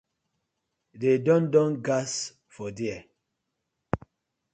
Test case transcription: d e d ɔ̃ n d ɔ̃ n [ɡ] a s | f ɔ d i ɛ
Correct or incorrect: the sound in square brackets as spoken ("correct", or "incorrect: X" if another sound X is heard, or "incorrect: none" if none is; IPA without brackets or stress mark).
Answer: correct